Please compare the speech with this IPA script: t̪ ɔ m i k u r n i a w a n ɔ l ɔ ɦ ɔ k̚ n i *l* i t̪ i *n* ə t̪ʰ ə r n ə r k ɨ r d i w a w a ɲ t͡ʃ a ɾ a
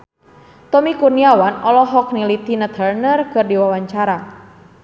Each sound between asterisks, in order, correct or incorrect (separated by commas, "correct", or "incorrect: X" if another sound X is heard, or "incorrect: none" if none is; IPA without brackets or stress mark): correct, correct